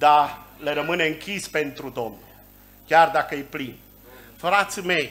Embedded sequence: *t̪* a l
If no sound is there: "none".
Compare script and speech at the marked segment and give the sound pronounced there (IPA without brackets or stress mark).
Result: d̪